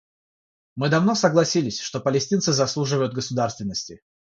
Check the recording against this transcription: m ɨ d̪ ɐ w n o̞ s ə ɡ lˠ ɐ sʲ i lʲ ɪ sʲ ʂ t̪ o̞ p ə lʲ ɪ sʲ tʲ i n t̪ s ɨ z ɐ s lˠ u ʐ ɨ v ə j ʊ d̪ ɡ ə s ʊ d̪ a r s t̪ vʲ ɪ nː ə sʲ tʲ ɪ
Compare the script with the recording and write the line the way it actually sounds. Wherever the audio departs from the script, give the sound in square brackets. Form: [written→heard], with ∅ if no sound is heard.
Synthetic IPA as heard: m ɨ d̪ ɐ [w→v] n o̞ s ə ɡ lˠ ɐ sʲ i lʲ ɪ sʲ ʂ t̪ o̞ p ə lʲ ɪ sʲ tʲ i n t̪ s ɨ z ɐ s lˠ u ʐ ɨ v ə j ʊ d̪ ɡ ə s ʊ d̪ a r s t̪ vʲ ɪ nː ə sʲ tʲ ɪ